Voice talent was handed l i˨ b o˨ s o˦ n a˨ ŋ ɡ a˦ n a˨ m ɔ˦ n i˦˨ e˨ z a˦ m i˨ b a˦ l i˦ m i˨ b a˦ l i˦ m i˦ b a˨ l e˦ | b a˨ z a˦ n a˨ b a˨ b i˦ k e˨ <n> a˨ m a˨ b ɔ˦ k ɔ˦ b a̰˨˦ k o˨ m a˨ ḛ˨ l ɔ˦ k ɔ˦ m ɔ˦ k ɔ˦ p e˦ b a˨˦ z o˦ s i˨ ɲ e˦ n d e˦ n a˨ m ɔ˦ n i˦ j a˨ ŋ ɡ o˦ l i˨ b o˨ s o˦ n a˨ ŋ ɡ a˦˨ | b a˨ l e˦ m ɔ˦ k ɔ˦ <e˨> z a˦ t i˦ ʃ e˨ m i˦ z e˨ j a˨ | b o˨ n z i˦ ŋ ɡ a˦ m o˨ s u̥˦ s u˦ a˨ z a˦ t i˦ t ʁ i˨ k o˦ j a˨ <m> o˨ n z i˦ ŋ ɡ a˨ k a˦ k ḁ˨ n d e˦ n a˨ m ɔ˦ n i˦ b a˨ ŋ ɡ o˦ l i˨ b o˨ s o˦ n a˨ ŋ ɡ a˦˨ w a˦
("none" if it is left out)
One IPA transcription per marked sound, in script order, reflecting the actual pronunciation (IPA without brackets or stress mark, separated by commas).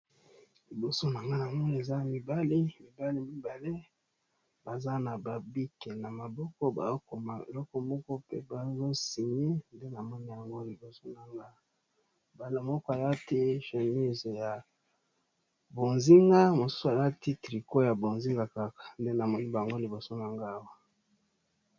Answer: n, a˨, b